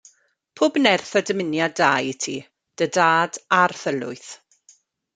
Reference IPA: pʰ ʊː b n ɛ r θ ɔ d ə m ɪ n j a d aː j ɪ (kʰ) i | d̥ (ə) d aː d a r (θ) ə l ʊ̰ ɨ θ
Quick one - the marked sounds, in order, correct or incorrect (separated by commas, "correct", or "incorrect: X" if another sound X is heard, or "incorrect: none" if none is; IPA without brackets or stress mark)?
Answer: incorrect: tʰ, correct, correct